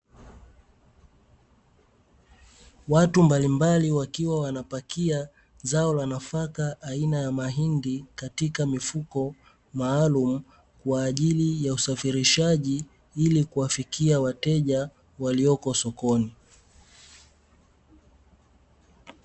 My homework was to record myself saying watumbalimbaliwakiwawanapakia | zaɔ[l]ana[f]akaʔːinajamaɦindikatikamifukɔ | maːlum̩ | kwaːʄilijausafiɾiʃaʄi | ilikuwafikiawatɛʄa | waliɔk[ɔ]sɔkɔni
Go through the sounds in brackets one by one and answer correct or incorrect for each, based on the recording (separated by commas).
correct, correct, correct